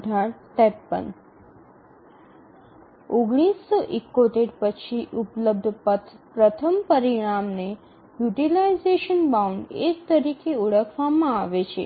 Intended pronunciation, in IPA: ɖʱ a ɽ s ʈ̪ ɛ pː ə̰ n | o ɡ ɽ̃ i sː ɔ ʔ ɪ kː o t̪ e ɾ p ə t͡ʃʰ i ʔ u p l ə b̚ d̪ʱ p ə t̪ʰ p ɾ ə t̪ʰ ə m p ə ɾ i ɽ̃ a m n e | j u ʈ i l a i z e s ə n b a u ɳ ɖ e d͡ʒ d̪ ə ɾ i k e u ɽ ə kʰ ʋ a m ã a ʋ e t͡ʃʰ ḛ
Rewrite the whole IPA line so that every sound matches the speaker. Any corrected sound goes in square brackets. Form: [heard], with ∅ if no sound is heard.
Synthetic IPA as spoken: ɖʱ a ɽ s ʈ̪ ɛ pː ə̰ n | o ɡ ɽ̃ i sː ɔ ʔ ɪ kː o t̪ e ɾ p ə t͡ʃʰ i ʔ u p l ə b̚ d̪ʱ p ə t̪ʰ p ɾ ə t̪ʰ ə m p ə ɾ i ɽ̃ a m n e | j u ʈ i l a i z e [ʃ] ə n b a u ɳ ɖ e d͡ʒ [t̪] ə ɾ i k e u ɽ ə kʰ ʋ a m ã a ʋ e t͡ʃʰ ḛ